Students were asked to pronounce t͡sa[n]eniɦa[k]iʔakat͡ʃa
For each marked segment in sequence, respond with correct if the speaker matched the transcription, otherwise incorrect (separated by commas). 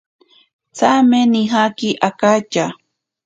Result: incorrect, correct